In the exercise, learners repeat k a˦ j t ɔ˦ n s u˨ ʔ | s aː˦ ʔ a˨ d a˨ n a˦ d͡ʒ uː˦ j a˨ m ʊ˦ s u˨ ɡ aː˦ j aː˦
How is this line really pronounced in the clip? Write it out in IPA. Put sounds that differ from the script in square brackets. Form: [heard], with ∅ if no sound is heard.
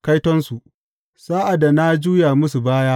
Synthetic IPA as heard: k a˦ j t ɔ˦ n s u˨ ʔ | s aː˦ ʔ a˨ d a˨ n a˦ d͡ʒ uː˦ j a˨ m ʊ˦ s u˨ [b] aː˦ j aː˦